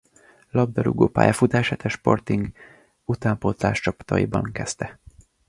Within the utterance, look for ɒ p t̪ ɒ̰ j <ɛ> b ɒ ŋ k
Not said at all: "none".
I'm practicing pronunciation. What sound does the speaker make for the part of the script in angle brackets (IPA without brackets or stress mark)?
i